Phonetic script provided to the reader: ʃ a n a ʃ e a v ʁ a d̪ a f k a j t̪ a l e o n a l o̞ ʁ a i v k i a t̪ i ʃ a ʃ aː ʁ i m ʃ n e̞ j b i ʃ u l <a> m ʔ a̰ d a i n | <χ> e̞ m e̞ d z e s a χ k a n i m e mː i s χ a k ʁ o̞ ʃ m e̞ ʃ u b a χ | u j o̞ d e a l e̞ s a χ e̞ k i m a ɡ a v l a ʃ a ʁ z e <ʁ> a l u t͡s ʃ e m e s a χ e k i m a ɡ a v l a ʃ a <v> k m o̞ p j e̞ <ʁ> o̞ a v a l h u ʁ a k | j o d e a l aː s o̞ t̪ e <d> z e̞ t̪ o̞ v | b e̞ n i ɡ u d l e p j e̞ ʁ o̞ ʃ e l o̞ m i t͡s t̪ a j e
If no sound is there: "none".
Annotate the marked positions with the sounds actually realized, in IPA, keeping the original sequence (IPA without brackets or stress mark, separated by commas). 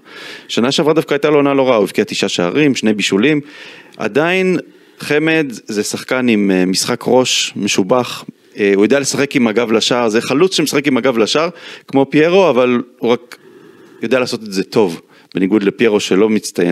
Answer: i, χ, χ, ʁ, ʁ, t